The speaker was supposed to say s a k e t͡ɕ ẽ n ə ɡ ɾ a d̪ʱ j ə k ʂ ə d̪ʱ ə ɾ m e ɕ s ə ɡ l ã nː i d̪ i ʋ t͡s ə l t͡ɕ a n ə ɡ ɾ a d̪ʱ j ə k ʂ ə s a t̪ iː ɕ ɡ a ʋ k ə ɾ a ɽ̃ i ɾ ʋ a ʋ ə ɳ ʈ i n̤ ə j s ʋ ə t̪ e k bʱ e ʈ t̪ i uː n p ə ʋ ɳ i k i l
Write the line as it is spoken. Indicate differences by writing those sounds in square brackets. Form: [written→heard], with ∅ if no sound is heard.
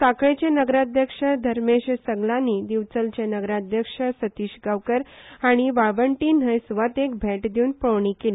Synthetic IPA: s a k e t͡ɕ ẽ n ə ɡ ɾ a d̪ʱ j ə k ʂ ə d̪ʱ ə ɾ m e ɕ s ə ɡ l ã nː i d̪ i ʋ t͡s ə l t͡ɕ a n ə ɡ ɾ a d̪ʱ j ə k ʂ ə s [a→ə] t̪ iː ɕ ɡ a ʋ k ə ɾ a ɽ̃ i [ɾ→∅] ʋ a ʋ ə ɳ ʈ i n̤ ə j s ʋ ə t̪ e k bʱ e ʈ [t̪→d̪] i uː n p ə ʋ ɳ i k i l